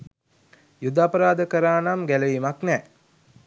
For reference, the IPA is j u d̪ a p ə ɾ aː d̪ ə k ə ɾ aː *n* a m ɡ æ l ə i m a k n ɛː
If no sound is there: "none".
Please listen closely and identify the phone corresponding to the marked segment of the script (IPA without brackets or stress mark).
n